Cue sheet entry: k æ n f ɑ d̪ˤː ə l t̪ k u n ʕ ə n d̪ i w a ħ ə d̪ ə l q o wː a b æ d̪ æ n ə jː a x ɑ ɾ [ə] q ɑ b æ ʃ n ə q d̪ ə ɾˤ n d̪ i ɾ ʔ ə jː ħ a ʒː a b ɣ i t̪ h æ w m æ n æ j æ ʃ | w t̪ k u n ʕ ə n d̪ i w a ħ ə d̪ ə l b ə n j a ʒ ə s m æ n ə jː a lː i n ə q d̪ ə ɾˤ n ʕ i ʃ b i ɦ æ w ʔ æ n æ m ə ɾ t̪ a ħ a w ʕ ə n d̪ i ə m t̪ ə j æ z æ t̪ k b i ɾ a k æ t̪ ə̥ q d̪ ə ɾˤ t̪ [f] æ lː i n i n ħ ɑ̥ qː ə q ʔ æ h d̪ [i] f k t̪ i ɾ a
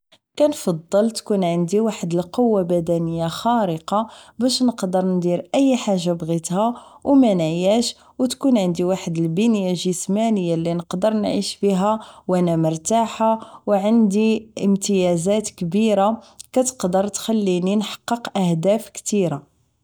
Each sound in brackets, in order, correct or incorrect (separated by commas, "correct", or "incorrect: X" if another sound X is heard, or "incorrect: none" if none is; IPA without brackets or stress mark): correct, incorrect: x, incorrect: æ